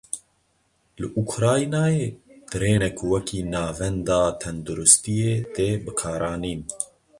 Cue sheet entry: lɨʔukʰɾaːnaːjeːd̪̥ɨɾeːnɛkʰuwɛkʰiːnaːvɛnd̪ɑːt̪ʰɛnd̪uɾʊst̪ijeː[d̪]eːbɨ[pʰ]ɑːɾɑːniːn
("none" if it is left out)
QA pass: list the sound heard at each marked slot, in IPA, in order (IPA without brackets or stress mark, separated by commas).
t̪, kʰ